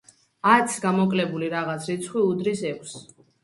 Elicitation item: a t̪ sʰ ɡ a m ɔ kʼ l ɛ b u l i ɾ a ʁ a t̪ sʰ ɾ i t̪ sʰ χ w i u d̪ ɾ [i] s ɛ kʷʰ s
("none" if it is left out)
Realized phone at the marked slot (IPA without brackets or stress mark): i